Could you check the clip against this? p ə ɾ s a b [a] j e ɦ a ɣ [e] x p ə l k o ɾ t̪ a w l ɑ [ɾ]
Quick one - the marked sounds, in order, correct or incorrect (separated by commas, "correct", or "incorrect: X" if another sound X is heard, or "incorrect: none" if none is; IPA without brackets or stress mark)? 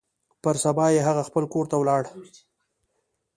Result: incorrect: ɑ, incorrect: a, incorrect: ɽ